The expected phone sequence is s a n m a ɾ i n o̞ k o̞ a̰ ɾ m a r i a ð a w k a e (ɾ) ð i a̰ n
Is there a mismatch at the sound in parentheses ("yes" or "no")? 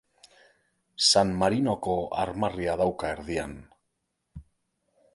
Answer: no